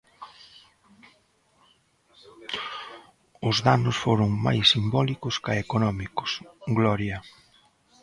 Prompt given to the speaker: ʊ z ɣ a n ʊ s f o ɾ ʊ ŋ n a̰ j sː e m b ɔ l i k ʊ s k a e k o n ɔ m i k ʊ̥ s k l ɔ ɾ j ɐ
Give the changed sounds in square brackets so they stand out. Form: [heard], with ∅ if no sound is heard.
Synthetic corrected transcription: ʊ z [ð] a n ʊ s f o ɾ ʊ ŋ [m] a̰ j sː [i] m b ɔ l i k ʊ s k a e k o n ɔ m i k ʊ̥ s [ɡ] l ɔ ɾ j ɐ